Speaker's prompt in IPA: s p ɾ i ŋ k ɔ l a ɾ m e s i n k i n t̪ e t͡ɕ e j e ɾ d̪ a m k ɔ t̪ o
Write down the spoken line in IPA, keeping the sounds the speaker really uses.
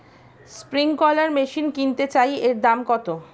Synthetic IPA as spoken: s p ɾ i ŋ k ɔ l a ɾ m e ʃ i n k i n t̪ e t͡ɕ a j e ɾ d̪ a m k ɔ t̪ o